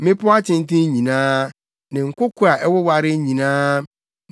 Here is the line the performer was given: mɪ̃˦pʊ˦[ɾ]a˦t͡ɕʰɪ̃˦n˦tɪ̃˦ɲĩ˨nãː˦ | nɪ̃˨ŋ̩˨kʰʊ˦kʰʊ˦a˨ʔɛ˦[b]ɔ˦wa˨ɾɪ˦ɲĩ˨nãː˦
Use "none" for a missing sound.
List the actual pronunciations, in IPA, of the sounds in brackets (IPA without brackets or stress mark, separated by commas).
none, w